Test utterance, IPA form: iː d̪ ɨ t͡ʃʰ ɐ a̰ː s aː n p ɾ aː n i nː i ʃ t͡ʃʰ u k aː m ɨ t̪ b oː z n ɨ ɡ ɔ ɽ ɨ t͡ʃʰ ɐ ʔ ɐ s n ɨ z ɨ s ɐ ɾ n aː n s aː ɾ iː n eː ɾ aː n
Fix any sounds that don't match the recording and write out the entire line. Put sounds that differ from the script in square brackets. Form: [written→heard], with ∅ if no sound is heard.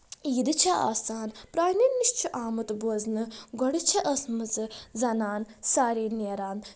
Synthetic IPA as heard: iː d̪ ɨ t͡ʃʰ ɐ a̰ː s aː n p ɾ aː n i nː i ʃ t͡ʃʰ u [k→ʔ] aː m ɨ t̪ b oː z n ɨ ɡ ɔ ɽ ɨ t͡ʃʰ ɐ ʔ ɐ s [n→m] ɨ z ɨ [s→z] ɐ [ɾ→∅] n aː n s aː ɾ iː n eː ɾ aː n

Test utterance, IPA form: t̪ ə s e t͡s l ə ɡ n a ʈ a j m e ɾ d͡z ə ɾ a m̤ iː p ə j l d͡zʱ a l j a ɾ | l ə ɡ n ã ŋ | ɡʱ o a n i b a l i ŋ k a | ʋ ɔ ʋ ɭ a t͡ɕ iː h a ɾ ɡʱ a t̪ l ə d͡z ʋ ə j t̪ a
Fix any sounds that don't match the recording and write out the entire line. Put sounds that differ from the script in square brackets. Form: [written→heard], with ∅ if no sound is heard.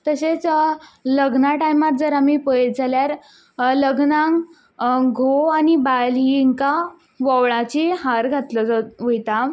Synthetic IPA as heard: t̪ ə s e t͡s l ə ɡ n a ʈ a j m [e→a] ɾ d͡z ə ɾ a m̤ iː p ə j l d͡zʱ a l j a ɾ | l ə ɡ n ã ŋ | ɡʱ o a n i b a l i ŋ k a | ʋ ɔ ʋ ɭ a t͡ɕ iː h a ɾ ɡʱ a t̪ l ə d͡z ʋ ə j t̪ a

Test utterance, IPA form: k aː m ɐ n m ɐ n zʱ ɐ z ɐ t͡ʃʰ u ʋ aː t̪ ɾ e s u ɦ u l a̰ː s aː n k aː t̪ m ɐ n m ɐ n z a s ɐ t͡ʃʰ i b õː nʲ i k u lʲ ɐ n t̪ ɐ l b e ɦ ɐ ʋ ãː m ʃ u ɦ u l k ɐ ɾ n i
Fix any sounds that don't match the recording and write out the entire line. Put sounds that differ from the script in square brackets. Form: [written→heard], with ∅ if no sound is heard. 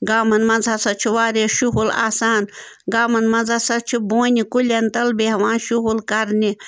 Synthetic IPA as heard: [k→ɡ] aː m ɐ n m ɐ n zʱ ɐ [z→s] ɐ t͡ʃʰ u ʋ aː [t̪→∅] ɾ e [s→ʃ] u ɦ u l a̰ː s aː n [k→ɡ] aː [t̪→∅] m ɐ n m ɐ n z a s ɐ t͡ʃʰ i b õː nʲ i k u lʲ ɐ n t̪ ɐ l b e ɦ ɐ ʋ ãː [m→n] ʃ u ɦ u l k ɐ ɾ n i

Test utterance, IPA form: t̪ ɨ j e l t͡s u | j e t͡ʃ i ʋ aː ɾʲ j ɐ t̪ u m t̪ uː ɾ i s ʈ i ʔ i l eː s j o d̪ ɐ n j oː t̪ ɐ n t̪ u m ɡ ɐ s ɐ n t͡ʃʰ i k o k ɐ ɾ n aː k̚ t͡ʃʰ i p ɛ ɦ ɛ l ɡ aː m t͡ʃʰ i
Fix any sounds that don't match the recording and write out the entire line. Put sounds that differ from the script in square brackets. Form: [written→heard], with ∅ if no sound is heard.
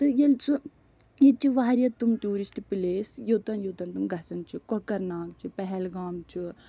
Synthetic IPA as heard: t̪ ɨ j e l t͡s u | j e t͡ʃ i ʋ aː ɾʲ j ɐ t̪ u m t̪ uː ɾ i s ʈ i [ʔ→p] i l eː s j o [d̪→t̪] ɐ n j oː t̪ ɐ n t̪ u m ɡ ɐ s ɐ n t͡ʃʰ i k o k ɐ ɾ n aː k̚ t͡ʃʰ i p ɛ ɦ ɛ l ɡ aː m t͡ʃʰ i

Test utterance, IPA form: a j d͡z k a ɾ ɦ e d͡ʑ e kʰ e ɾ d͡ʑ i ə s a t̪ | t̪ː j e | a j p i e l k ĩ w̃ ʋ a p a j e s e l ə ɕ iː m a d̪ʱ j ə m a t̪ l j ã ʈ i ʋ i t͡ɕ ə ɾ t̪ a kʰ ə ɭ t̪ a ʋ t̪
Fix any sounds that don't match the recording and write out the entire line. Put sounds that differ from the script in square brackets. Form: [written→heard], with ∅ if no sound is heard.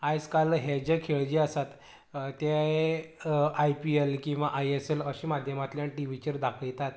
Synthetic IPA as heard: a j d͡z k a [ɾ→l] ɦ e d͡ʑ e kʰ e [ɾ→ɭ] d͡ʑ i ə s a t̪ | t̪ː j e | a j p i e l k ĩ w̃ ʋ a [p→ʔ] a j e s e l ə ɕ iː m a d̪ʱ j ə m a t̪ l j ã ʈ i ʋ i t͡ɕ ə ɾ [t̪→d̪] a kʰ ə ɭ t̪ a [ʋ→∅] t̪

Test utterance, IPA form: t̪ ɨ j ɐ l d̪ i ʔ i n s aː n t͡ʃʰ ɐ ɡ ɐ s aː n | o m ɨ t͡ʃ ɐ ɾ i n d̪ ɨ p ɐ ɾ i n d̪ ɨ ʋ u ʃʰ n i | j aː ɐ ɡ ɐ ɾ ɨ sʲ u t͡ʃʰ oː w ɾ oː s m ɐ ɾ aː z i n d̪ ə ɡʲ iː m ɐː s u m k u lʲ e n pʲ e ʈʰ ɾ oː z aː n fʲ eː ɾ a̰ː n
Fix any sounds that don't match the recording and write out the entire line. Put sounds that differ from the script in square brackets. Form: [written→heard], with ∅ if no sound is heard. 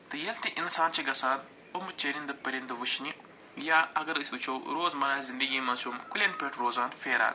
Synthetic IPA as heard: t̪ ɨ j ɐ l [d̪→t̪] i ʔ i n s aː n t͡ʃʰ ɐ ɡ ɐ s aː n | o m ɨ t͡ʃ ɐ ɾ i n d̪ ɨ p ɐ ɾ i n d̪ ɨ ʋ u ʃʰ n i | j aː ɐ ɡ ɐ ɾ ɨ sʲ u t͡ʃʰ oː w ɾ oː [s→z] m ɐ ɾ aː z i n d̪ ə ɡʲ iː m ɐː s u m k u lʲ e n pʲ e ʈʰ ɾ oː z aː n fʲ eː ɾ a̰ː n

